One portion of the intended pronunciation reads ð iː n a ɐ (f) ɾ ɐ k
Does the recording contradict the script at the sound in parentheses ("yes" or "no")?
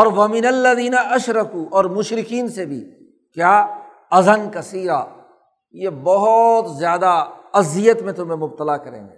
yes